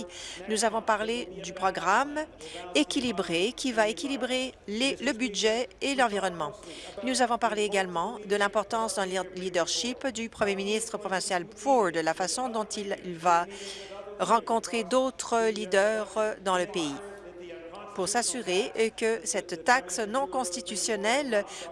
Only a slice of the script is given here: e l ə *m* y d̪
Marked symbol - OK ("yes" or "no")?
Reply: no